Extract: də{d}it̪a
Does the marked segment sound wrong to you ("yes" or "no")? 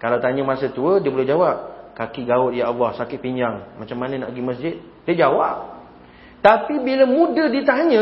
no